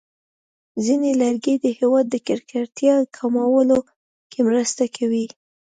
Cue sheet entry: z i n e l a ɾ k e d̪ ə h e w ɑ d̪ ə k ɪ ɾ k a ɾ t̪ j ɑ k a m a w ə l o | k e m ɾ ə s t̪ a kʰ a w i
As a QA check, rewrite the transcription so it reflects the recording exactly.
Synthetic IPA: z i n e l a ɾ ɡ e d̪ ə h e w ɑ d̪ː ə k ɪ ɾ k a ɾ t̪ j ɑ kʰ a m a w ə l o | k e m ɾ ə s t̪ a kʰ a w i